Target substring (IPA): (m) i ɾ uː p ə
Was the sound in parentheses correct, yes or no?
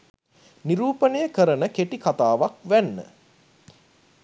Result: no